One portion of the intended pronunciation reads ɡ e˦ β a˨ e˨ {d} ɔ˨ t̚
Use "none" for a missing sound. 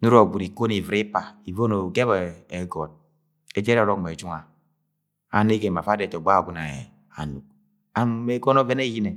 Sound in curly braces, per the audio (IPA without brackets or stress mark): ɡ